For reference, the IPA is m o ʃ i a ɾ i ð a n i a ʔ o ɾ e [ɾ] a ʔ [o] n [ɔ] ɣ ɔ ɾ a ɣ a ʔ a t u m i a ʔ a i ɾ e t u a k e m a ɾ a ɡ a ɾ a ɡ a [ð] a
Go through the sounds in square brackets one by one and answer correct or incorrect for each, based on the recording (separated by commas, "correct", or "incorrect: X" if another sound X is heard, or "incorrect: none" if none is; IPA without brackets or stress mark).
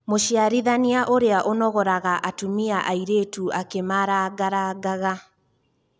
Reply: incorrect: none, correct, correct, incorrect: ɣ